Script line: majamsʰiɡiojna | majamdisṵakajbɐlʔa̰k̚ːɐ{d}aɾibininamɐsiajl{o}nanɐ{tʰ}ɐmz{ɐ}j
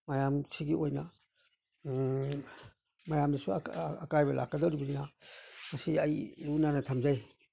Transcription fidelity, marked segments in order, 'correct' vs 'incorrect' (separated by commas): correct, incorrect, correct, incorrect